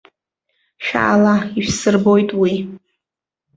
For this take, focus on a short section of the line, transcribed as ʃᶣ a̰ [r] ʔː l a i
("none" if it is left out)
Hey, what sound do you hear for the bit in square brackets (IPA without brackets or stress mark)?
none